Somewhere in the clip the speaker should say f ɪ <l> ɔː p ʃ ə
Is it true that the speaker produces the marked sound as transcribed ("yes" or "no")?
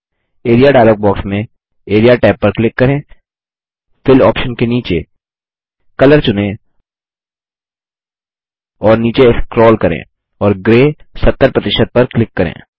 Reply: yes